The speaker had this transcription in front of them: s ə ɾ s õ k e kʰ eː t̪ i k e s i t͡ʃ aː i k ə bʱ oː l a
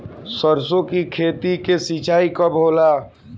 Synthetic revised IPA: s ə ɾ s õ k i kʰ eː t̪ i k e s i t͡ʃ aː i k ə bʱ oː l a